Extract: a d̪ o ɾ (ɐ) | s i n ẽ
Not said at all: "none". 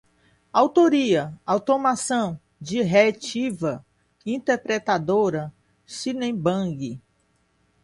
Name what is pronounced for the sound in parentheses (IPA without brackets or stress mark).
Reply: ɐ